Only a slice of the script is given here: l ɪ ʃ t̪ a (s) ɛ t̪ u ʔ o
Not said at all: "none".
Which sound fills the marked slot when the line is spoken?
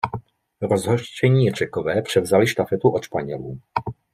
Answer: f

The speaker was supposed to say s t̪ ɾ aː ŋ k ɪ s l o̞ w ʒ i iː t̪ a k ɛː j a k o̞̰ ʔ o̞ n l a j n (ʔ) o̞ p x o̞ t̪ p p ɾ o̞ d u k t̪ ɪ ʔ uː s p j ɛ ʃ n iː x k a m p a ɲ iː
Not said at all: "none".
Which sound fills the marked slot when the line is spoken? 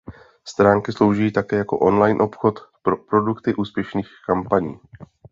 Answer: ʔ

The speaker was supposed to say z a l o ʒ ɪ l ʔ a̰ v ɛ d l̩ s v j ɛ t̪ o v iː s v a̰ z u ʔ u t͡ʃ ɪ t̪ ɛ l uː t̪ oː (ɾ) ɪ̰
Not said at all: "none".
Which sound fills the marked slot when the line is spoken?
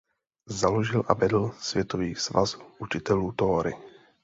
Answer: ɾ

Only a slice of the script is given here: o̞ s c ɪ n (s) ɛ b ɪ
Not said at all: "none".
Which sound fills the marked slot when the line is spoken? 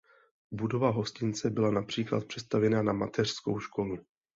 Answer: t͡s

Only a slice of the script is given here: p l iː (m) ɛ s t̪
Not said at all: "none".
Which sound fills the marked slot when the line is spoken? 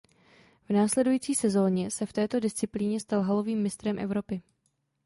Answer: ɲ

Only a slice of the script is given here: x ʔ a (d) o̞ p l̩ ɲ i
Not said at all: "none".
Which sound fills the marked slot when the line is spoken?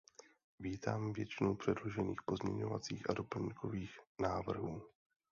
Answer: d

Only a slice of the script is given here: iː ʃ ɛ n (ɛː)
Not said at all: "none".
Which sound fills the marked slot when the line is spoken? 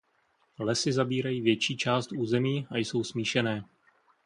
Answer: ɛː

